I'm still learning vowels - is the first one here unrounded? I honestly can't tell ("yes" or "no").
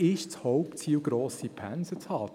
yes